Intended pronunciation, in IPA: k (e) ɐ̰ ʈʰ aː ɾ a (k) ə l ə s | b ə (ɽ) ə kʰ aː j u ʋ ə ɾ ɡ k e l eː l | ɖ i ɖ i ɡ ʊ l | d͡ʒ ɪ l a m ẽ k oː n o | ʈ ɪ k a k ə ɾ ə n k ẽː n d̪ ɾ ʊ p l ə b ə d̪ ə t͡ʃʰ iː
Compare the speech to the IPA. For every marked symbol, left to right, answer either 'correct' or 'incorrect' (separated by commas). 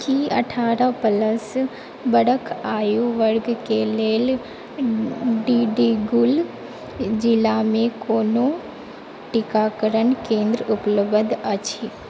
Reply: incorrect, incorrect, correct